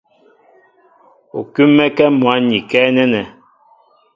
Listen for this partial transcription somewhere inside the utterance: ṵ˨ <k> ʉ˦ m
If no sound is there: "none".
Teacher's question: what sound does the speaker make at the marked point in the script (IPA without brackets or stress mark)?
k